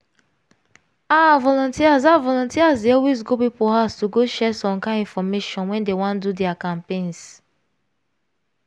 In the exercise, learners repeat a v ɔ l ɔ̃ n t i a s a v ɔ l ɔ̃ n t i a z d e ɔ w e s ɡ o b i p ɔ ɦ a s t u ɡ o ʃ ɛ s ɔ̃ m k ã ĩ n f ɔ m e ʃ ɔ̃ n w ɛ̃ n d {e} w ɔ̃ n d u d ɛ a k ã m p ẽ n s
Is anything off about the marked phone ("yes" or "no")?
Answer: no